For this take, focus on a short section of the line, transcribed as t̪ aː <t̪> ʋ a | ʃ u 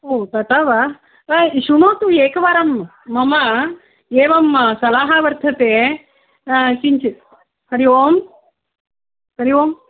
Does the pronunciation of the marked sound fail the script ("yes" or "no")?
yes